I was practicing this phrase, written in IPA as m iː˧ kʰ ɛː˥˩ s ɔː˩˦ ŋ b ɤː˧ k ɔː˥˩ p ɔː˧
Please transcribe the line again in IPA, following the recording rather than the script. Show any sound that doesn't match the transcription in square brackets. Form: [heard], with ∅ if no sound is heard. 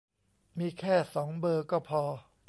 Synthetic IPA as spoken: m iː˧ kʰ ɛː˥˩ s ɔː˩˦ ŋ b ɤː˧ k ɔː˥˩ [pʰ] ɔː˧